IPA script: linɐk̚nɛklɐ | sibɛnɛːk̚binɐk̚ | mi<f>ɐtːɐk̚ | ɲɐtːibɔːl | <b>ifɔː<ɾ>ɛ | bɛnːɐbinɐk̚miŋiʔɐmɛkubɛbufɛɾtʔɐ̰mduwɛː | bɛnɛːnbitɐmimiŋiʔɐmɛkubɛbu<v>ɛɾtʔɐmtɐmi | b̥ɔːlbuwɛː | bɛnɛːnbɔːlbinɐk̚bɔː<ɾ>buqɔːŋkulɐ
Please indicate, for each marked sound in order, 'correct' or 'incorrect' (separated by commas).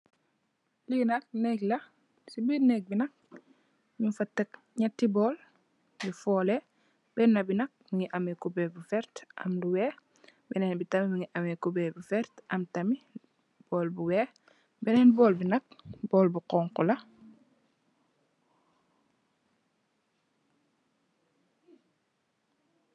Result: correct, correct, incorrect, incorrect, incorrect